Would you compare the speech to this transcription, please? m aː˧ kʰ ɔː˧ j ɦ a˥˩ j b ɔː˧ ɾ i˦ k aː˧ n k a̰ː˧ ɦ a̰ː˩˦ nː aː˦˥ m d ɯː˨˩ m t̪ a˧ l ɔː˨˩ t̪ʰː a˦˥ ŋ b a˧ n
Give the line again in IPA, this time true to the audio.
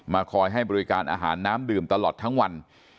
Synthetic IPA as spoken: m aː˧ kʰ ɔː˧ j ɦ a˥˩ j b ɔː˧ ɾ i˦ k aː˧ n ʔ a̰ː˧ ɦ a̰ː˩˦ nː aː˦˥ m d ɯː˨˩ m t̪ a˧ l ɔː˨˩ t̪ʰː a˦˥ ŋ w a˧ n